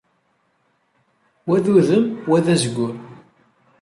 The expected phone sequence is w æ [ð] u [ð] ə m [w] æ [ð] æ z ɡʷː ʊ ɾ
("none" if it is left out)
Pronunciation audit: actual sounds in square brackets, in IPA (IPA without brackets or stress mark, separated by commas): ð, ð, w, ð